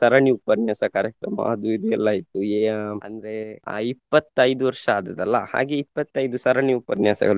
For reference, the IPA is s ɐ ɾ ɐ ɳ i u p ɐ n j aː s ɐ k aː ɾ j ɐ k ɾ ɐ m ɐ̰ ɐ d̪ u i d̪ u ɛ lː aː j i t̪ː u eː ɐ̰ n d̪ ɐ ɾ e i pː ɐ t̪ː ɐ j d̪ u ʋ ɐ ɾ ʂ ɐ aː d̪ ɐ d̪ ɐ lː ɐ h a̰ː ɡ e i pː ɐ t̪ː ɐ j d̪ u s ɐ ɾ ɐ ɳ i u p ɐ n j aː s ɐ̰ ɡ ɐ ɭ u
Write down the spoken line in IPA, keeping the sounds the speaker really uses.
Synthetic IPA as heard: s ɐ ɾ ɐ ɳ i u p ɐ n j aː s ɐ k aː ɾ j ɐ k ɾ ɐ m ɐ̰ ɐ d̪ u i d̪ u ɛ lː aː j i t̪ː u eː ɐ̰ n d̪ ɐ ɾ e i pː ɐ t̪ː ɐ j d̪ u ʋ ɐ ɾ ʂ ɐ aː d̪ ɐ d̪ ɐ lː ɐ h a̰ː ɡ e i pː ɐ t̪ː ɐ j d̪ u s ɐ ɾ ɐ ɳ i u p ɐ n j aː s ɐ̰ ɡ ɐ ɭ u